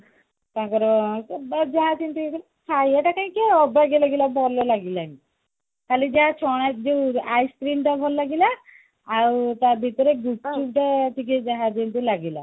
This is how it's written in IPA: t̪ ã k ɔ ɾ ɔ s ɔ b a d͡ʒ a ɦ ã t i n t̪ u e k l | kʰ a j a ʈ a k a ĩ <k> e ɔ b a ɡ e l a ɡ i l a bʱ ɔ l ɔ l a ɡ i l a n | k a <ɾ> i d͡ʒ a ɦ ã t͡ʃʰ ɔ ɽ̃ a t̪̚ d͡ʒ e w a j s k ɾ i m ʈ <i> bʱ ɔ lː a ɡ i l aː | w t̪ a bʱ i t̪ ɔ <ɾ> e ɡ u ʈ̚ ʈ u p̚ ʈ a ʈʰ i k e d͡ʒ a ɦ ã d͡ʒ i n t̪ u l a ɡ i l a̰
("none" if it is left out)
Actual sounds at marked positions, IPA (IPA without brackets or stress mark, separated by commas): k, l, a, ɾ